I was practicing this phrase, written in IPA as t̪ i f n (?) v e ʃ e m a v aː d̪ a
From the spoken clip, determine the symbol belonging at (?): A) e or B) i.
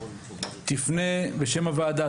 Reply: A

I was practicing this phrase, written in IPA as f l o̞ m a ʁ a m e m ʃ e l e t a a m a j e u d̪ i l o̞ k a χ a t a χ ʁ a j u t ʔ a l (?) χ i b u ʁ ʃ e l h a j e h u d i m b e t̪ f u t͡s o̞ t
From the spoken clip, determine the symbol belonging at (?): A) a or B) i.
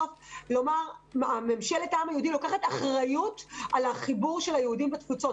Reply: A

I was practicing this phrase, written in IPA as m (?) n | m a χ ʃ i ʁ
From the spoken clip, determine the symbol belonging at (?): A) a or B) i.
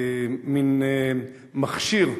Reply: B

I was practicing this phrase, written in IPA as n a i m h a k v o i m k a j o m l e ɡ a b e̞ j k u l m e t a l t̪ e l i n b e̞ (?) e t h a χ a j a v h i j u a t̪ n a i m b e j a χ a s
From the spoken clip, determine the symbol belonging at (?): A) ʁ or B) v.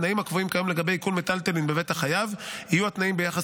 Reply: B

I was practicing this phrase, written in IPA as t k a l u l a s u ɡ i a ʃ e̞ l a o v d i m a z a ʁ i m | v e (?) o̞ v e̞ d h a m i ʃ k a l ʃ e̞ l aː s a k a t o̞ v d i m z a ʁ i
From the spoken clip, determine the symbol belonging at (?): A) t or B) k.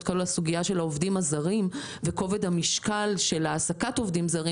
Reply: B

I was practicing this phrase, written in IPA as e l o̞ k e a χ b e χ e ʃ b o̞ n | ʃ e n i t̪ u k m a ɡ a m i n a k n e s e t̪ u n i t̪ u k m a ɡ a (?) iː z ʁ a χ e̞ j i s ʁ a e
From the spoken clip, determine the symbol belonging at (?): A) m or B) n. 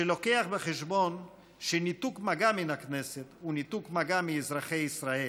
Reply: A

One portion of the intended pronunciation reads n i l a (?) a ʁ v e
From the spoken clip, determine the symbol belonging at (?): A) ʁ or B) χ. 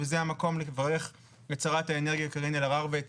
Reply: A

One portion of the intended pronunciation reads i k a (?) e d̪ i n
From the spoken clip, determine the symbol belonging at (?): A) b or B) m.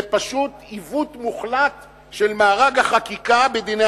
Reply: A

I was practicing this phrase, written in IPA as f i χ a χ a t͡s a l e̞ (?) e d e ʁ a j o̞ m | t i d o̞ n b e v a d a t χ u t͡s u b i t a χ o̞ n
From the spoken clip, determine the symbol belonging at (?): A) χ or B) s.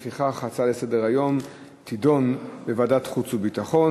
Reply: B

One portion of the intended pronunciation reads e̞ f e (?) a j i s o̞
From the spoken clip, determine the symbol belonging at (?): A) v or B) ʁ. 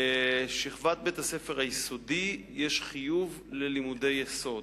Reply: B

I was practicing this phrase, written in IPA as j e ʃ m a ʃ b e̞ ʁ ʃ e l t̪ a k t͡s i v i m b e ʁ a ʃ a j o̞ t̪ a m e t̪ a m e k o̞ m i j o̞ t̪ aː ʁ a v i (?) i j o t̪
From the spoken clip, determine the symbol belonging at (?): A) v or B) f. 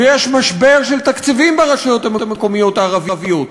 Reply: A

